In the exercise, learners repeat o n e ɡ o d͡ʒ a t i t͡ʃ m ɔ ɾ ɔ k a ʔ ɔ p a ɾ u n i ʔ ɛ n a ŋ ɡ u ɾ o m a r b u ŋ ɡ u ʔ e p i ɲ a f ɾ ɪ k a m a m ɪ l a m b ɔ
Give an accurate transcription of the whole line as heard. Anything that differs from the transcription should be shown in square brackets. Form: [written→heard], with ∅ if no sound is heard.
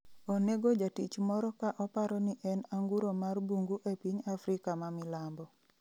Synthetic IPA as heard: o n e ɡ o d͡ʒ a t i t͡ʃ m ɔ ɾ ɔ k a ʔ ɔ p a ɾ [u→ɔ] n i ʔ ɛ n a ŋ ɡ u ɾ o m a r b u ŋ ɡ u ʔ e p i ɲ a f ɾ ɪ k a m a m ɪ l a m b ɔ